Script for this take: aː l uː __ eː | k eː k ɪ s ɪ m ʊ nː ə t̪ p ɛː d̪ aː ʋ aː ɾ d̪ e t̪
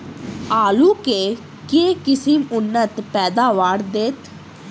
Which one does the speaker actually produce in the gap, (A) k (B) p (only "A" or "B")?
A